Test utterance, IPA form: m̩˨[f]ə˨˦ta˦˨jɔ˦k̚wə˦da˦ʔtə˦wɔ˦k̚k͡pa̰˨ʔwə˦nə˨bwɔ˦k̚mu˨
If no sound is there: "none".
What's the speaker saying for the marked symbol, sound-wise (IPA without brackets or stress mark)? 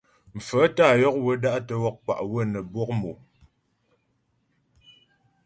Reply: f